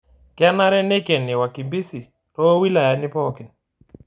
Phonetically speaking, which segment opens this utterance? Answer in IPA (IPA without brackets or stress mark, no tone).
k